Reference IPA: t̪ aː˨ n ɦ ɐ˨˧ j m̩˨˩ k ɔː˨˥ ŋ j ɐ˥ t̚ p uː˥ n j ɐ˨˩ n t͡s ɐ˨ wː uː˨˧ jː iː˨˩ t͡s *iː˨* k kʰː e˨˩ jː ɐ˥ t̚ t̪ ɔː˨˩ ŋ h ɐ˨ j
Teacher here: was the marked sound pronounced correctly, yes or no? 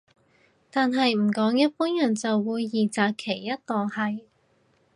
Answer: no